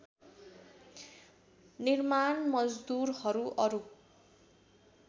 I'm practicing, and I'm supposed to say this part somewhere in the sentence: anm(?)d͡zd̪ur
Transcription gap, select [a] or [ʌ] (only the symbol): ʌ